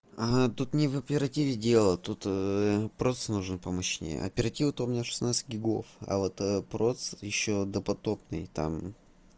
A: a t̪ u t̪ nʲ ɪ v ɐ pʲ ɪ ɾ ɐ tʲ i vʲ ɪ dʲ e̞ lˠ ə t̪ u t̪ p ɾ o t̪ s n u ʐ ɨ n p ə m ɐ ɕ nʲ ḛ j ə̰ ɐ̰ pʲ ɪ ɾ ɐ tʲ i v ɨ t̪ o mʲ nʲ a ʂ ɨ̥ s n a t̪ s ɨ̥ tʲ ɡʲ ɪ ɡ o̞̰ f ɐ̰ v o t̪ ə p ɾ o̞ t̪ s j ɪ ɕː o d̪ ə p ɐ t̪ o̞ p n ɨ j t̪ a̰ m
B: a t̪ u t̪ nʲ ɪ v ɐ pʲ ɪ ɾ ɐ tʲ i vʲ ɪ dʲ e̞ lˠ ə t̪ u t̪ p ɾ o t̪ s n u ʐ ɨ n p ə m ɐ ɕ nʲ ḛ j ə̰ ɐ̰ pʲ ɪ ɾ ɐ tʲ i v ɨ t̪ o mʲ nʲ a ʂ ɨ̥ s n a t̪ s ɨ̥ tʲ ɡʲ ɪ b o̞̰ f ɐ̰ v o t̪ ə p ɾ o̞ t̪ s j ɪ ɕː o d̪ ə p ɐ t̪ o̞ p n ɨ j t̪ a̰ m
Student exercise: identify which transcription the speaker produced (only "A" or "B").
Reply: A